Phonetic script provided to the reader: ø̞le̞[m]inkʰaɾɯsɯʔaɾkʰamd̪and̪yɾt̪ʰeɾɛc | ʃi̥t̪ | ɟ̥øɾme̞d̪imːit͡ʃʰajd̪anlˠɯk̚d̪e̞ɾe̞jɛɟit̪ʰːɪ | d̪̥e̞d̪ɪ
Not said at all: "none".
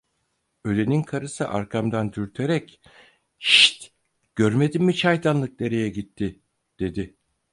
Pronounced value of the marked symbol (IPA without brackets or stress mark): n